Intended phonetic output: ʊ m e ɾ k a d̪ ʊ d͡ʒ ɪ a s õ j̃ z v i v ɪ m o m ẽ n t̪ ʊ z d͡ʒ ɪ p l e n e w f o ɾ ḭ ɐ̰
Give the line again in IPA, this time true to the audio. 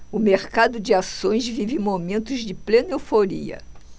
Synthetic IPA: ʊ m e ɾ k a d̪ ʊ d͡ʒ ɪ a s õ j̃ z v i v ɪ m o m ẽ n t̪ ʊ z d͡ʒ ɪ p l e n e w f o ɾ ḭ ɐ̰